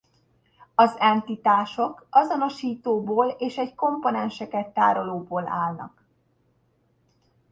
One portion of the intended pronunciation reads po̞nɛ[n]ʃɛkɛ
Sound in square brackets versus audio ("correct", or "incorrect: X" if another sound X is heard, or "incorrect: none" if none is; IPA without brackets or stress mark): correct